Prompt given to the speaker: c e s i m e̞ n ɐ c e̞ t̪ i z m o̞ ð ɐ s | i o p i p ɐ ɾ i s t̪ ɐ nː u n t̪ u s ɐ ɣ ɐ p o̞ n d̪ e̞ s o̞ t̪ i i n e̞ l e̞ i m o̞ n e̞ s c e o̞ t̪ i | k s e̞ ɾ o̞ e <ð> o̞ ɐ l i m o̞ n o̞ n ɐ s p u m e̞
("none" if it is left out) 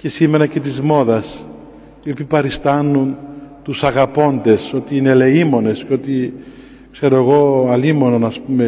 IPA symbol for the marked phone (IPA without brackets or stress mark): ɣ